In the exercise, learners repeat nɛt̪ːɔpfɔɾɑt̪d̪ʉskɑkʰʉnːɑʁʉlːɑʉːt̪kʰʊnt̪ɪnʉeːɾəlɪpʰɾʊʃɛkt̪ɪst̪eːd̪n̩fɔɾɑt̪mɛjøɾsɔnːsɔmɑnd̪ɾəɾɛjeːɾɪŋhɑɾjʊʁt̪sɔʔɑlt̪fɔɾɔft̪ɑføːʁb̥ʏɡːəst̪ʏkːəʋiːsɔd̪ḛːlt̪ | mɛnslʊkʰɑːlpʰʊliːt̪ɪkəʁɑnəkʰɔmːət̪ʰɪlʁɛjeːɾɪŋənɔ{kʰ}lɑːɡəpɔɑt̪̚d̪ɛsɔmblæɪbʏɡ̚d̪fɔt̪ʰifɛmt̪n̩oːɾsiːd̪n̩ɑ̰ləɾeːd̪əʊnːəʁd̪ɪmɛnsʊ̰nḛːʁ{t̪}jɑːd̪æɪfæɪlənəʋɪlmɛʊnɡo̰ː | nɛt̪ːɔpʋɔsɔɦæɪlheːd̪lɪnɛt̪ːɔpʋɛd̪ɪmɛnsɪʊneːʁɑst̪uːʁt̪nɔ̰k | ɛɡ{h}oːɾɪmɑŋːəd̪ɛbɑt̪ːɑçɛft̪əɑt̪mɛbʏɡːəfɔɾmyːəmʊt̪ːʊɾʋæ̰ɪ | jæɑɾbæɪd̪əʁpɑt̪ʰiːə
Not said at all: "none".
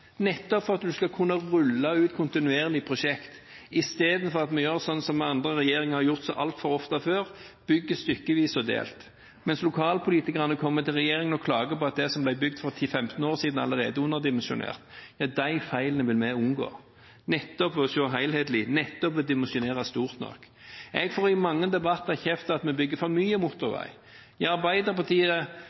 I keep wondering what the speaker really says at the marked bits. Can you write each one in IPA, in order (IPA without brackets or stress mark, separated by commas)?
kʰ, t̪, f